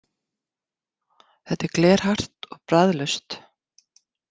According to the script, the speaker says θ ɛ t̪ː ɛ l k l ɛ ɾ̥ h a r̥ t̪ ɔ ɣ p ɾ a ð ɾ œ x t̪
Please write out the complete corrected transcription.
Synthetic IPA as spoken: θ ɛ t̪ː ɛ ɾ k l ɛː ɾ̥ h a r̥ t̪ ɔ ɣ p ɾ a ð l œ s t̪